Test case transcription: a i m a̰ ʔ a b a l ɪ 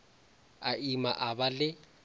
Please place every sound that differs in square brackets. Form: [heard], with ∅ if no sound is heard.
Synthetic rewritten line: a i m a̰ ʔ a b a l ɪ